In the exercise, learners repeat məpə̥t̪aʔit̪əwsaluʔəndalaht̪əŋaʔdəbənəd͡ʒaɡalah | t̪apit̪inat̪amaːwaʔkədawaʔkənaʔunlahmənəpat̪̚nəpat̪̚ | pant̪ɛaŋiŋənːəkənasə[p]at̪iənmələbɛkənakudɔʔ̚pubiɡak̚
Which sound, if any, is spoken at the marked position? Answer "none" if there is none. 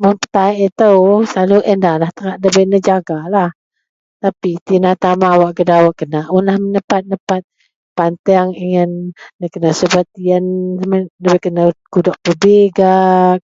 b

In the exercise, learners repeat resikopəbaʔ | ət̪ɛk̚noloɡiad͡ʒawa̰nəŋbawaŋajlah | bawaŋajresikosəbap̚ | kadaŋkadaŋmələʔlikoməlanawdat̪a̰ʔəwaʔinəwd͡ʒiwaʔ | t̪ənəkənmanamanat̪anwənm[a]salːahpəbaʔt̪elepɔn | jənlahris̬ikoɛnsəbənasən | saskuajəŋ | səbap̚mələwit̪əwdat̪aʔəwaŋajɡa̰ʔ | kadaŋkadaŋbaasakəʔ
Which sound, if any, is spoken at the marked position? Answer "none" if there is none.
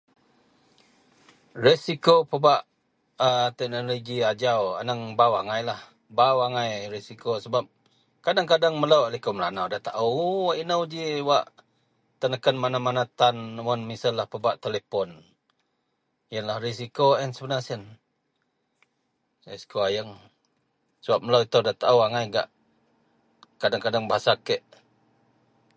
i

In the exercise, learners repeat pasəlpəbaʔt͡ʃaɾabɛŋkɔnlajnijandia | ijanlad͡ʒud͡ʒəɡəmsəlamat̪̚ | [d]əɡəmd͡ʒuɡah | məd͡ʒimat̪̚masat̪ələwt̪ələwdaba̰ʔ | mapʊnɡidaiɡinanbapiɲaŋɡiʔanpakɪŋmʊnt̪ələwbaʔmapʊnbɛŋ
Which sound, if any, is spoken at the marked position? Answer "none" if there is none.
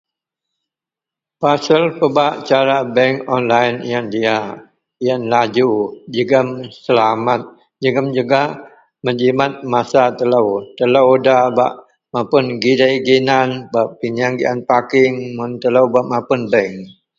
d͡ʒ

